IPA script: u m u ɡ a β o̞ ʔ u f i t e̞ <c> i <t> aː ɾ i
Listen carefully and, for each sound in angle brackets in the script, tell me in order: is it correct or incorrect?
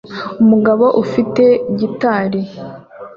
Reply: incorrect: ɟ, correct

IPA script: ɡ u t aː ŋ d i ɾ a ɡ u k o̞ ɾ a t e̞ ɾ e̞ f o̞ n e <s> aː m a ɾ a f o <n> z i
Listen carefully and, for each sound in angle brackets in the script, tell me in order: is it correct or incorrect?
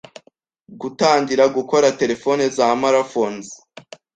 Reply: incorrect: z, correct

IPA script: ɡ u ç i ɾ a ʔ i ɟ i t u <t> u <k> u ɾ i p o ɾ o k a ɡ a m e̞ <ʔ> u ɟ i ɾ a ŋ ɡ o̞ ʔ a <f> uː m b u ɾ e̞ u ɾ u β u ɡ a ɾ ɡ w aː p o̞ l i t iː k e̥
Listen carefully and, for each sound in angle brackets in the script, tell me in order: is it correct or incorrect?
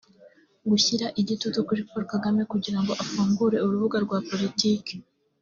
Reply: correct, correct, incorrect: k, correct

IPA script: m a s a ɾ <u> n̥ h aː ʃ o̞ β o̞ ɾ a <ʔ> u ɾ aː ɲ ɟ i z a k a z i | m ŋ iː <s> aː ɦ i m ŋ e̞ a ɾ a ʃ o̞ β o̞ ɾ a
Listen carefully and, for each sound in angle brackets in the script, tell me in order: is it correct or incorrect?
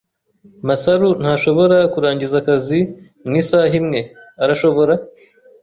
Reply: correct, incorrect: k, correct

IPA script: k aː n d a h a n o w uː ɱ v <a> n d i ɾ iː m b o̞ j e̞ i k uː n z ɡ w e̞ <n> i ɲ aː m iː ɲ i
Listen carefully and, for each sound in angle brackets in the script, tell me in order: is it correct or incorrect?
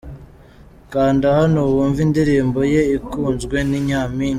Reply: incorrect: i, correct

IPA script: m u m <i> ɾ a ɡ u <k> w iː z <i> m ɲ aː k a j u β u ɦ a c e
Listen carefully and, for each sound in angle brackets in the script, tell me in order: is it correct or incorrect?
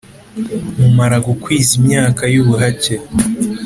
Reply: incorrect: a, correct, correct

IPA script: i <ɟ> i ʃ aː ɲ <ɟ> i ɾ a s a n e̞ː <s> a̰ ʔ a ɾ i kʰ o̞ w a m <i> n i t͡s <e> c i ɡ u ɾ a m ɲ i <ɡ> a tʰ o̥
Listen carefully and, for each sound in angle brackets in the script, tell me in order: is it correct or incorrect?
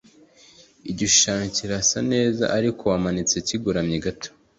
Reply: correct, incorrect: c, incorrect: z, incorrect: a, correct, correct

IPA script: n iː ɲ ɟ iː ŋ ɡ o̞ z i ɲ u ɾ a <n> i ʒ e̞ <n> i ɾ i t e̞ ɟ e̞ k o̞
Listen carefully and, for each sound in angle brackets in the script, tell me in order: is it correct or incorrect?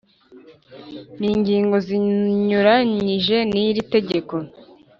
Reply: incorrect: ɲ, correct

